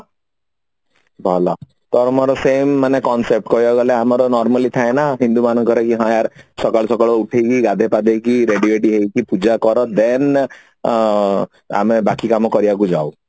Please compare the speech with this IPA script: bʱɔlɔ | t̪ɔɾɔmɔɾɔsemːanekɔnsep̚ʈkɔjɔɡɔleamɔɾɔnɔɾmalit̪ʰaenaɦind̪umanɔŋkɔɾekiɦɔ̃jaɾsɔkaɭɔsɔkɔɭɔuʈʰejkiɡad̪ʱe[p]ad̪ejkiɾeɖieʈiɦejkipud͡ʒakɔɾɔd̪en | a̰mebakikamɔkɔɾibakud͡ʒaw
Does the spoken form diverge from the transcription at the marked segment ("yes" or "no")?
no